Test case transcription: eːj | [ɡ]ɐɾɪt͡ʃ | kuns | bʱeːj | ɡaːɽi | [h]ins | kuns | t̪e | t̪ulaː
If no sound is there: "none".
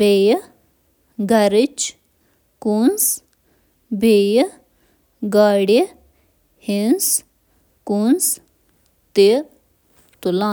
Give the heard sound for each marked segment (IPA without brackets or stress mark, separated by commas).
ɡ, h